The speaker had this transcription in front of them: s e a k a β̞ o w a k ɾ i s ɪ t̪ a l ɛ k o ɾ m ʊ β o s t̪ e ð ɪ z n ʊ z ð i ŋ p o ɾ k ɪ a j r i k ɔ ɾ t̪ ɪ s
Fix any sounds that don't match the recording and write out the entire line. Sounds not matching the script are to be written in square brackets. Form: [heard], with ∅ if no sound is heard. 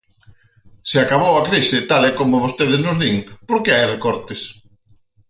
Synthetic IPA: s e a k a β̞ o w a k ɾ i s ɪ t̪ a l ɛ k o [∅] m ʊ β o s t̪ e ð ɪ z n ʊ z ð i ŋ p o ɾ k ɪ a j r [e] k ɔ ɾ t̪ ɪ s

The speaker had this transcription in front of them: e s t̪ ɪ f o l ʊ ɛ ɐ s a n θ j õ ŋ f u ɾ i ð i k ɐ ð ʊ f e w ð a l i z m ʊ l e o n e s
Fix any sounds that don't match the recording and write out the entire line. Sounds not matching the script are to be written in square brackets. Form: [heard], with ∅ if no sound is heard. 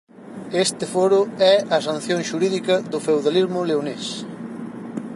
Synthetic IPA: e s t̪ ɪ f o [ɾ] ʊ ɛ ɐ s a n θ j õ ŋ [ʃ] u ɾ i ð i k ɐ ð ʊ f e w ð a l i z m ʊ l e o n e s

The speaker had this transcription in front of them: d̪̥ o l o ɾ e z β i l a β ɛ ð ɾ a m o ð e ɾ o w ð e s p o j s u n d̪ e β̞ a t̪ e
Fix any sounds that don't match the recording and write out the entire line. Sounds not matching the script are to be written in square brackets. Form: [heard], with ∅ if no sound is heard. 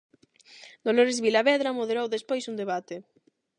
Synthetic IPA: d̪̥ o l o ɾ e z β i l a β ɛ ð ɾ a m o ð e ɾ o w ð e s p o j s u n d̪ e β̞ a t̪ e

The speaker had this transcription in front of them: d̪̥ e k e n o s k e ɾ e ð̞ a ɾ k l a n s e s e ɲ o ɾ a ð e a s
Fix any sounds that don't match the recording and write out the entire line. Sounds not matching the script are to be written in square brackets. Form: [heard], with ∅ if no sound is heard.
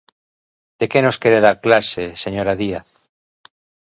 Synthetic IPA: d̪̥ e k e n o s k e ɾ e ð̞ a ɾ k l a [∅] s e s e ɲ o ɾ a ð [i] a [θ]

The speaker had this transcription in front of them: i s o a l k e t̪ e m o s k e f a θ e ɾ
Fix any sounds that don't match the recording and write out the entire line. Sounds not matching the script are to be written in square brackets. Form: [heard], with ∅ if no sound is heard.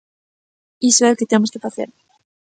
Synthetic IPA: i s o [e] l k e t̪ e m o s k e f a θ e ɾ

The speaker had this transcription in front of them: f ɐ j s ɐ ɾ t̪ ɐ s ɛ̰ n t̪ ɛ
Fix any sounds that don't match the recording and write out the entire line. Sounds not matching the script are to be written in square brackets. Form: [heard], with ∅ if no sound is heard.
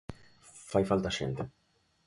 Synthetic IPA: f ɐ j [f] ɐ [l] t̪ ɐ [ʃ] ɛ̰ n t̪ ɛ

